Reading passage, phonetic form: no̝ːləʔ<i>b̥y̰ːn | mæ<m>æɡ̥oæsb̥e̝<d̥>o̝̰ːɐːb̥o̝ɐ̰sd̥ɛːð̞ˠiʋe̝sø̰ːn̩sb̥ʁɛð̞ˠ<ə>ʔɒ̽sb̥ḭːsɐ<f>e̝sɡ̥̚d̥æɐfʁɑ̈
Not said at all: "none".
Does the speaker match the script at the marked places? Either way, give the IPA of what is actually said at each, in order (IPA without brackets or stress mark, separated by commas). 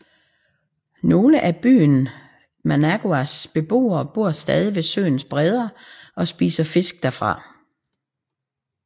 æ, n, b̥, ɐ, f